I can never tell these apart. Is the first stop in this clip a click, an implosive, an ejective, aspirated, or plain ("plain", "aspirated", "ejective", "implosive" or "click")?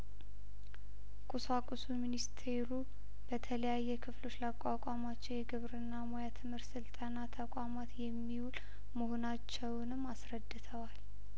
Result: ejective